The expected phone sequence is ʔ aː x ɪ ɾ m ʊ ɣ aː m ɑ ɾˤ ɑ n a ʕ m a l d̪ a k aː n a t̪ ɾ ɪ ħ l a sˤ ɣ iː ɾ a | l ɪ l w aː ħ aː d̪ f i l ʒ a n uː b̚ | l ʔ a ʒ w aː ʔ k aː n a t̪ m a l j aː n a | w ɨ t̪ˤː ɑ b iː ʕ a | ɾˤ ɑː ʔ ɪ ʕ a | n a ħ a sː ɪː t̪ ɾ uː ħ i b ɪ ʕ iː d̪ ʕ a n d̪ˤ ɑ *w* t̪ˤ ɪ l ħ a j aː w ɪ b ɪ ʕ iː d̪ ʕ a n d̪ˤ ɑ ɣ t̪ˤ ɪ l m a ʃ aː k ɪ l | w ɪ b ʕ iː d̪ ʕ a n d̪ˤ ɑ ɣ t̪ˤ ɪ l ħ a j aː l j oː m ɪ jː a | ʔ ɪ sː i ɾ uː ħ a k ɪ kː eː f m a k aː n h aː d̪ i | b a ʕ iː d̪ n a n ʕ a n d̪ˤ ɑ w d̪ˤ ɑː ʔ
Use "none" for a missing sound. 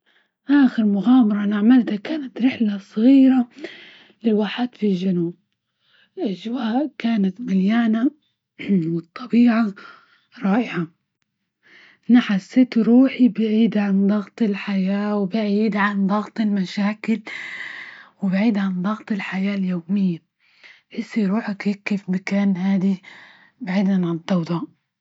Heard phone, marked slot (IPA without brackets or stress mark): ɣ